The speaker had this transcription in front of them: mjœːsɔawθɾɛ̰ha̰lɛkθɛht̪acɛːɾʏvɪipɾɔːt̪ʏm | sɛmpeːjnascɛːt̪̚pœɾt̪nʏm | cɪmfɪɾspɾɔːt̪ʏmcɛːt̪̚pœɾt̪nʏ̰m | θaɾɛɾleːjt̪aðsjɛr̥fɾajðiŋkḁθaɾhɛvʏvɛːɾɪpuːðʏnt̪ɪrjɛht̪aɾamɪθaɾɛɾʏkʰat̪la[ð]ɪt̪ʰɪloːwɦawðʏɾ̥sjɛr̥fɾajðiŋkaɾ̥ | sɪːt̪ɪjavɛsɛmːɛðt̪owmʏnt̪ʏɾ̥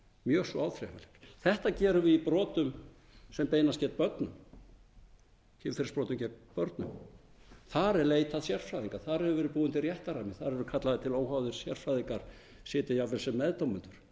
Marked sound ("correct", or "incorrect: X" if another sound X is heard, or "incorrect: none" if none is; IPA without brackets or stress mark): correct